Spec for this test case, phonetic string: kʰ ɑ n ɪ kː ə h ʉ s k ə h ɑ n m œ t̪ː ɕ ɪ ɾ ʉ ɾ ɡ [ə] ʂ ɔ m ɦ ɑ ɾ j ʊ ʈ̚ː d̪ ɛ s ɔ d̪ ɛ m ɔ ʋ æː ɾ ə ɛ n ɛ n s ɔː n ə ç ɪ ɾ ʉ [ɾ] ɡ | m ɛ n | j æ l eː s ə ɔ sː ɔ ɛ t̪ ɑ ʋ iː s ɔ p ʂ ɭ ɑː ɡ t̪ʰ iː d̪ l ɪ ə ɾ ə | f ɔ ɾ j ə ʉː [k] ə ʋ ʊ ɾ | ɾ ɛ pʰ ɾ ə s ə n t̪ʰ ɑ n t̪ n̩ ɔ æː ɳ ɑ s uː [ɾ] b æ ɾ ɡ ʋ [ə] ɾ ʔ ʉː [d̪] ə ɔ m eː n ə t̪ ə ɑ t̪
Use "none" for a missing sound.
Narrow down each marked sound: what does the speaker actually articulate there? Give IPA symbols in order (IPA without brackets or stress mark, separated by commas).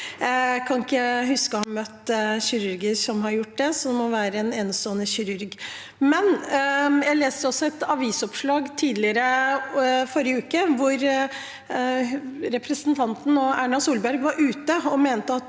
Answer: ə, ɾ, k, l, ɑ, t̪